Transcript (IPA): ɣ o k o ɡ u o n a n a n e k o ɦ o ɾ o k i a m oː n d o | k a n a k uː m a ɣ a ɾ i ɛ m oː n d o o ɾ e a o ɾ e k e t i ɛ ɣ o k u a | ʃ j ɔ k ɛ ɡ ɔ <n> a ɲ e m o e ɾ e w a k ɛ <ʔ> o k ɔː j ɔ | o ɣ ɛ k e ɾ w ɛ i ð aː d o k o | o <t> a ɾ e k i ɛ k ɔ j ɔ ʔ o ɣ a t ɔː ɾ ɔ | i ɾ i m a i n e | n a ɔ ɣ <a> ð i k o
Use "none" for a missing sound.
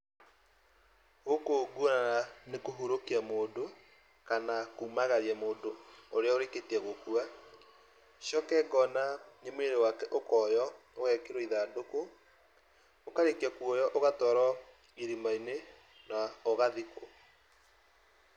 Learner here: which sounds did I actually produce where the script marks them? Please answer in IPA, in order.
n, ʔ, k, a

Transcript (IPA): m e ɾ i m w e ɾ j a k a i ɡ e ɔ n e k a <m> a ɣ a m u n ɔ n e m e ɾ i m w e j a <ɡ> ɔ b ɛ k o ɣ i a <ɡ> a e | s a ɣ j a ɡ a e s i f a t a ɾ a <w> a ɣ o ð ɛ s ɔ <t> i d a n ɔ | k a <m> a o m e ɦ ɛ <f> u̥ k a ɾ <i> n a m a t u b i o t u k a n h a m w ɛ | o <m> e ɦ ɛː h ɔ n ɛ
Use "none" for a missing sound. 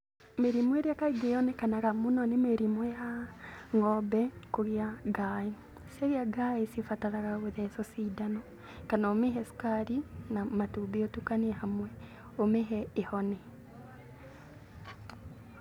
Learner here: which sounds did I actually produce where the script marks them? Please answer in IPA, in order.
n, ŋ, ɡ, ɣ, s, n, s, i, m

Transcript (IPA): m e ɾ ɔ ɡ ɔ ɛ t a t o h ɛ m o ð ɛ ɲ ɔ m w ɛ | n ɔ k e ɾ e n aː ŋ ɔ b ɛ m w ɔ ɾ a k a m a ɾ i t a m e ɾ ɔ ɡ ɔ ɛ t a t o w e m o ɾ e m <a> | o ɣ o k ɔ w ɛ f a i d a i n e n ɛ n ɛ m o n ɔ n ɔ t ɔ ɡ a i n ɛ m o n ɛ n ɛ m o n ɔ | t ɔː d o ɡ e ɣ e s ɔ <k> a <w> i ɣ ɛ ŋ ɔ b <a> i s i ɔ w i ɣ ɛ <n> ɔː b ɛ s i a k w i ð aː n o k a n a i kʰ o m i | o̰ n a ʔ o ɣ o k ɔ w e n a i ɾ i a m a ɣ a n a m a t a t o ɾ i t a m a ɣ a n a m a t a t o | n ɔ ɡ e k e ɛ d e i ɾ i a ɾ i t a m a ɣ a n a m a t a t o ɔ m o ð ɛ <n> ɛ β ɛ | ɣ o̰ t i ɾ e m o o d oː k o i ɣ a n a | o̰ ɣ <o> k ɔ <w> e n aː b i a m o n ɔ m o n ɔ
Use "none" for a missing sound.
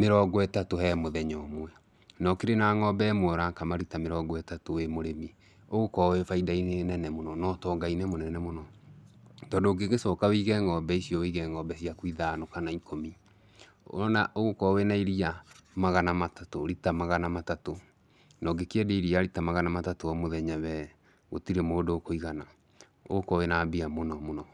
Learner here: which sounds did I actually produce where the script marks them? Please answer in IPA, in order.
i, k, w, ɛ, ŋ, ɲ, o, w

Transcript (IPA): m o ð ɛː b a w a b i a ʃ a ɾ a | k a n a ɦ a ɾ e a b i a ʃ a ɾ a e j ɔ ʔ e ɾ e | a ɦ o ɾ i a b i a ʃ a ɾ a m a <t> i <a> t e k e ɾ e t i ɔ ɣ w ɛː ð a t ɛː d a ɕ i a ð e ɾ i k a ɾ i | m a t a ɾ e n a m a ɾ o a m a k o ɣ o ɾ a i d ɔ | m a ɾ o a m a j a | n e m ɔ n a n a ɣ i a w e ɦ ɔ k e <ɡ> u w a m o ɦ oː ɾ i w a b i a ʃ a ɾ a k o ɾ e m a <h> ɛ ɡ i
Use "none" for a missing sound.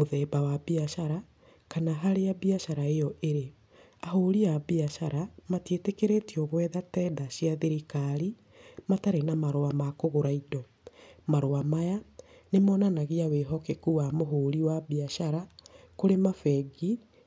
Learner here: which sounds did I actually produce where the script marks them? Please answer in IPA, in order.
t, e, k, f

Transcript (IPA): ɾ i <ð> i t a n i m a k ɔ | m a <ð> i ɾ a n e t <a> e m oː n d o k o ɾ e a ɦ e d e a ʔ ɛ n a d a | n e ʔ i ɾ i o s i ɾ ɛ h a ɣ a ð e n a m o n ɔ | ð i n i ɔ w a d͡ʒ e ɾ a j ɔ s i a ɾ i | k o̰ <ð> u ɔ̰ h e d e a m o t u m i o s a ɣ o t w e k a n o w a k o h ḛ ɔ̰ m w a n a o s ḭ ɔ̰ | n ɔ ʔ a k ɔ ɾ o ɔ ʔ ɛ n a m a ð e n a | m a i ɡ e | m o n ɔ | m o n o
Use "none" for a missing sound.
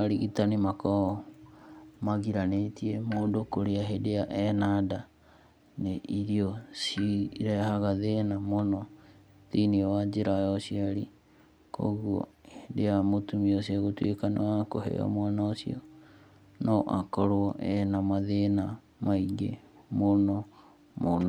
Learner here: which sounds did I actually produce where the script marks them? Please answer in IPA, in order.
ɣ, ɣ, i, ɣ

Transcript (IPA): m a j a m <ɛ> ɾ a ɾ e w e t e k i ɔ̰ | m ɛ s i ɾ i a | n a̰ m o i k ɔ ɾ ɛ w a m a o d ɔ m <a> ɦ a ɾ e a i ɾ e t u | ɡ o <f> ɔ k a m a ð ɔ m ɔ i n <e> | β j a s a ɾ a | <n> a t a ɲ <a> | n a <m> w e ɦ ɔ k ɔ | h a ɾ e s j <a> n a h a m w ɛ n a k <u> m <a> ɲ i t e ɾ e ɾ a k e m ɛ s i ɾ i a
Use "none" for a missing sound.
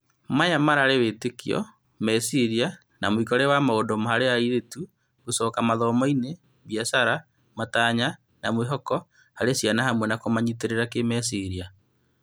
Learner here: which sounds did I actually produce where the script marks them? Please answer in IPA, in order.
a, a, s, e, m, a, m, a, o, a

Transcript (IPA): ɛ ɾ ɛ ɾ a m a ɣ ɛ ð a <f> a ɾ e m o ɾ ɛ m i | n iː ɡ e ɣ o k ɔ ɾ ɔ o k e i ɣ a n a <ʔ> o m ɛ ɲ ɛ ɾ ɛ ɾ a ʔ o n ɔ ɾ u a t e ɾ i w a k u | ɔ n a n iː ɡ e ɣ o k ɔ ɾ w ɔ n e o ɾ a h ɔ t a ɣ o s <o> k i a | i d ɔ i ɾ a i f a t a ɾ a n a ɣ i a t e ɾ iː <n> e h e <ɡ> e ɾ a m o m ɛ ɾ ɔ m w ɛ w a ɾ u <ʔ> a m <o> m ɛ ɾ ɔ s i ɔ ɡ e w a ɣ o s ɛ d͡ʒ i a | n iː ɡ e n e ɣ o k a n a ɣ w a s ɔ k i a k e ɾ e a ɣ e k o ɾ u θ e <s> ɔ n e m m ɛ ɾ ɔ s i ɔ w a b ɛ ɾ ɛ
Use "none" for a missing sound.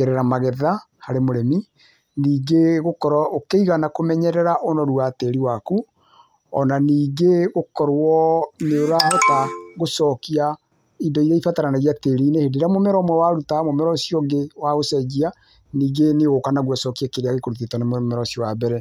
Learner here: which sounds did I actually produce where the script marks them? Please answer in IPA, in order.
h, k, ɔ, n, d, t, o, t

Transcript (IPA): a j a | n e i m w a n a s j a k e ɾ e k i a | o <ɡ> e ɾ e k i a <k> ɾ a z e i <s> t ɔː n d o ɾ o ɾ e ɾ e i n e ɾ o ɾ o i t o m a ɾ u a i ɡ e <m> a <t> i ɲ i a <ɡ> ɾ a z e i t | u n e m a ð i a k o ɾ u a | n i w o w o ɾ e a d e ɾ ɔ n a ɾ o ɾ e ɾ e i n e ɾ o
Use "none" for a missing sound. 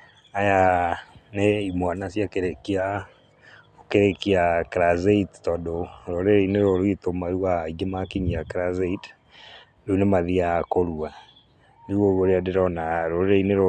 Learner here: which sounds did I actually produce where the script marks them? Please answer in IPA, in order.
k, k, t, m, k, k

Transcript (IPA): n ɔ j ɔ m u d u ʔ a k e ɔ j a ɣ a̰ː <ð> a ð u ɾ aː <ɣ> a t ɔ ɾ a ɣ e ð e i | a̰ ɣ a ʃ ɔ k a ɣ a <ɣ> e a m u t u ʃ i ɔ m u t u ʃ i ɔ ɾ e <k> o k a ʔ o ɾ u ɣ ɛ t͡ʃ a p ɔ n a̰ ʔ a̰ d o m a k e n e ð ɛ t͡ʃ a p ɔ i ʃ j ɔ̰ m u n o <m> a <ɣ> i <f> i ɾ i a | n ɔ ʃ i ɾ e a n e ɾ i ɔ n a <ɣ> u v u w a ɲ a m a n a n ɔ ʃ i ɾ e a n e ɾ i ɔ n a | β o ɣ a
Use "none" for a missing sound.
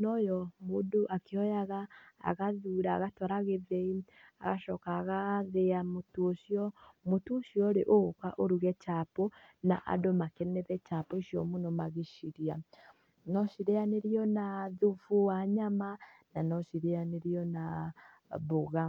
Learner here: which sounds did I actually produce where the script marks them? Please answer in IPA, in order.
ɣ, ɣ, ð, ʔ, m, ɣ, ʃ, ð

